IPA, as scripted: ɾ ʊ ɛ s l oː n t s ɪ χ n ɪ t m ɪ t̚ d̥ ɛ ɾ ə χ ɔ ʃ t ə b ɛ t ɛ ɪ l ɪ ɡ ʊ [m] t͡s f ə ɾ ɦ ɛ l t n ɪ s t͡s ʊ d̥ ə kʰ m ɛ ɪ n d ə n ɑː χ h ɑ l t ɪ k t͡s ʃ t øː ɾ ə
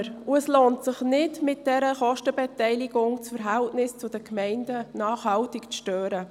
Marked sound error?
yes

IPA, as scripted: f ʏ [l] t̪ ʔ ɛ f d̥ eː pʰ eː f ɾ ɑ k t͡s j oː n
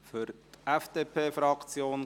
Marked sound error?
yes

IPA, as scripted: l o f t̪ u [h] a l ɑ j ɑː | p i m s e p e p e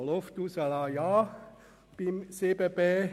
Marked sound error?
yes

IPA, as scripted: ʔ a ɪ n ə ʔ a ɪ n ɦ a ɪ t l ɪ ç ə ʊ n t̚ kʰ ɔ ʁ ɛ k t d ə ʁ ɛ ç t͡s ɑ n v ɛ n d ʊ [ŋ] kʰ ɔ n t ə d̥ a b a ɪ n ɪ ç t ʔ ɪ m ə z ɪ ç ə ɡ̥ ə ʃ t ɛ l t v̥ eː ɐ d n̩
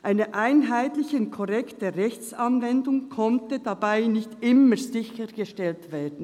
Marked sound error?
no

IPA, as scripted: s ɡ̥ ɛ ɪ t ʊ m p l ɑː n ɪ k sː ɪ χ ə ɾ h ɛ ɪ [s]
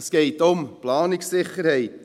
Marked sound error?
yes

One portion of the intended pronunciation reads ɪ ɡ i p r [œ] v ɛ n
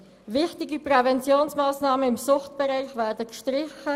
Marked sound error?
yes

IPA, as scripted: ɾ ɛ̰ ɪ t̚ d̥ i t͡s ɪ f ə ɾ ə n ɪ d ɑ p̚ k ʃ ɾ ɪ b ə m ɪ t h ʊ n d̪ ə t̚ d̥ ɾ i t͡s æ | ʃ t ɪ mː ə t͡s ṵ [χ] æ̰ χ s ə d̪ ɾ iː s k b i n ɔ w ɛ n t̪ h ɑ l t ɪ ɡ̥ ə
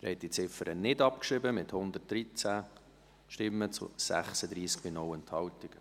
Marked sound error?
yes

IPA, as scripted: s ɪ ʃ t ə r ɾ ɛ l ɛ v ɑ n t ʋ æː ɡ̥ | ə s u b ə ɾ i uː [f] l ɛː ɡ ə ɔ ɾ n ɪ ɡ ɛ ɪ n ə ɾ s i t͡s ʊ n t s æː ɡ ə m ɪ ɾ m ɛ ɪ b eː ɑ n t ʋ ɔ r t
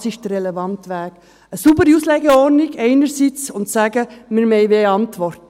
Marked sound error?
yes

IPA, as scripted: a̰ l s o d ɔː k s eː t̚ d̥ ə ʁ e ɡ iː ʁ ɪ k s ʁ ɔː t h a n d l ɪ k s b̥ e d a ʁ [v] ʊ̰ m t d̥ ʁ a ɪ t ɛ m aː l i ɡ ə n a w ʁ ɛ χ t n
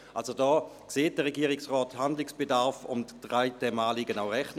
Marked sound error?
yes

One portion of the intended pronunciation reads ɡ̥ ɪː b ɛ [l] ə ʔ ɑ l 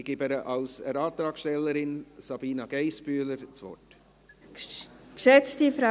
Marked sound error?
yes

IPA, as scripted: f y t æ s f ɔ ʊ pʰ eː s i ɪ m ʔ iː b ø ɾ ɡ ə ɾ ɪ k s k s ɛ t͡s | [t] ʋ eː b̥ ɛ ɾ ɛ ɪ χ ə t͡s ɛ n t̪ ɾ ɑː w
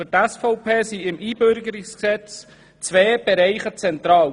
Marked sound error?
yes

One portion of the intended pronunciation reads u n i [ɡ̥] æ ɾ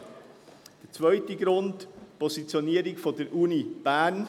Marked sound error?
yes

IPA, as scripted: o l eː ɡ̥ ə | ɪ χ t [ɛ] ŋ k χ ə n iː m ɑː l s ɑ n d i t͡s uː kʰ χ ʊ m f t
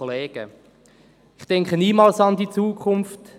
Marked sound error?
no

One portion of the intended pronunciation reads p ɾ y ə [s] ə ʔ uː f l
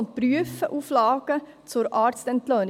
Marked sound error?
yes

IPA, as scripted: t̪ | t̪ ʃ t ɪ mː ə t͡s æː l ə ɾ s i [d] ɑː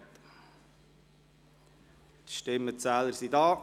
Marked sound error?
no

